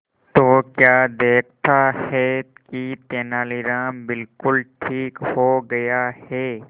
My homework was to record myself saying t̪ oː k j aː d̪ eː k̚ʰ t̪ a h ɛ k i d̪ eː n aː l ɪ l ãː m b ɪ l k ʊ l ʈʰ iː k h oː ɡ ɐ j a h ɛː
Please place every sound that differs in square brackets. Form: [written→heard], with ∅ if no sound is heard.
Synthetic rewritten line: t̪ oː k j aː d̪ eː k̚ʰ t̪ a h ɛ k i [d̪→t̪] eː n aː l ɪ [l→ɾ] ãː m b ɪ l k ʊ l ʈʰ iː k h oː ɡ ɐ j a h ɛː